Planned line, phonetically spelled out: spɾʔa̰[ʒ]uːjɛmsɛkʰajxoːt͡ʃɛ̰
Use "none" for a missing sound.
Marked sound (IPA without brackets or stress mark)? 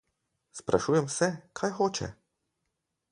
ʃ